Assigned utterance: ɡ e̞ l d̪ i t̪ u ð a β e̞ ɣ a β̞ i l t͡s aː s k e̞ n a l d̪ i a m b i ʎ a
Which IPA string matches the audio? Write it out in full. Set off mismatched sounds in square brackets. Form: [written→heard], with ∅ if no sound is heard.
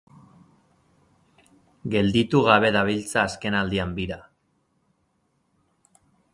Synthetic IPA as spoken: ɡ e̞ l d̪ i t̪ u [ð→ɣ] a β e̞ [ɣ→ð] a β̞ i l t͡s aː s k e̞ n a l d̪ i a m b i [ʎ→ɾ] a

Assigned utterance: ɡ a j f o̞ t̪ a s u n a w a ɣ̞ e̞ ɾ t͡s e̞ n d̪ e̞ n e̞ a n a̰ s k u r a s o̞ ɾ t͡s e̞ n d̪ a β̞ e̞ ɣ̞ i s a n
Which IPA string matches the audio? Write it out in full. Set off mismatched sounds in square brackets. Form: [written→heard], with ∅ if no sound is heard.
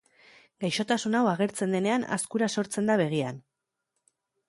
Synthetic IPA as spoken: ɡ a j [f→ʃ] o̞ t̪ a s u n a w a ɣ̞ e̞ ɾ t͡s e̞ n d̪ e̞ n e̞ a n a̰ s k u [r→ɾ] a s o̞ ɾ t͡s e̞ n d̪ a β̞ e̞ ɣ̞ i [s→∅] a n

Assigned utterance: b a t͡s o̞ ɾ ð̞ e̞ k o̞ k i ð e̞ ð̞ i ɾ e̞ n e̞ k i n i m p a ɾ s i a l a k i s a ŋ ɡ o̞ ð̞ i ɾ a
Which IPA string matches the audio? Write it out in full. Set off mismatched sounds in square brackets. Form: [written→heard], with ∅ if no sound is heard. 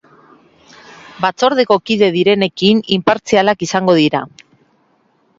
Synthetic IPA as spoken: b a t͡s o̞ ɾ ð̞ e̞ k o̞ k i ð e̞ ð̞ i ɾ e̞ n e̞ k i n i m p a ɾ [s→t͡s] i a l a k i s a ŋ ɡ o̞ ð̞ i ɾ a

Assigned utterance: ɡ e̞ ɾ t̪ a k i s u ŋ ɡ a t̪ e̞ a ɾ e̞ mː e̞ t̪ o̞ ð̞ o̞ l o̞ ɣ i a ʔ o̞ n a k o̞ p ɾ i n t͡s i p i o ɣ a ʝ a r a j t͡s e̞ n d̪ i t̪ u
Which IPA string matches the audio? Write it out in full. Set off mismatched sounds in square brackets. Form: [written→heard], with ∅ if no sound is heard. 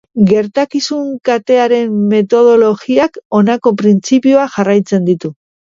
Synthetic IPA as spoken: ɡ e̞ ɾ t̪ a k i s u ŋ [ɡ→k] a t̪ e̞ a ɾ e̞ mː e̞ t̪ o̞ ð̞ o̞ l o̞ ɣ i a [ʔ→k] o̞ n a k o̞ p ɾ i n t͡s i p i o [ɣ→∅] a ʝ a r a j t͡s e̞ n d̪ i t̪ u

